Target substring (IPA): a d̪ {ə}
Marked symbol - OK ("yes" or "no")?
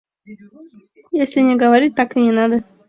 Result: yes